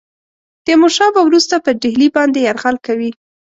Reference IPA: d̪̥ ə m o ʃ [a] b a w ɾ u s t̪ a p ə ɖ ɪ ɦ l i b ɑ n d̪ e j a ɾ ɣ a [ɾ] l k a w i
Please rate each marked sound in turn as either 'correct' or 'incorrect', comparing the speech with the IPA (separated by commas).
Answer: incorrect, incorrect